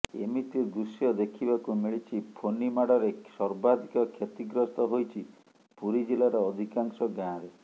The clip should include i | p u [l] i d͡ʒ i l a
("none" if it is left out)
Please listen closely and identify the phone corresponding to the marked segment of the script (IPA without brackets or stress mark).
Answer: ɾ